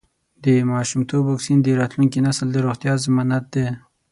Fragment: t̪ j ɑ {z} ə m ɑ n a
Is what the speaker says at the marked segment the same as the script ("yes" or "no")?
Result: yes